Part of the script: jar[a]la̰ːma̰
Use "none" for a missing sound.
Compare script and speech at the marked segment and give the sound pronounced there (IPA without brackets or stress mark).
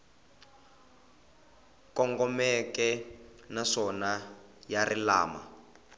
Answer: i